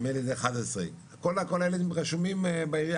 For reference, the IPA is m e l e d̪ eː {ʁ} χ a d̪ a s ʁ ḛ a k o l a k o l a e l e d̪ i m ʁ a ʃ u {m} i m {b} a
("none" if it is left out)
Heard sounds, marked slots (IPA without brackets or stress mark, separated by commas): none, m, b